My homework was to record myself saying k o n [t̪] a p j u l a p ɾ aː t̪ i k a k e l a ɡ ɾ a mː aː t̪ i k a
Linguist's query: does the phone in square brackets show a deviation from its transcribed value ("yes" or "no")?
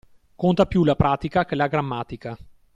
no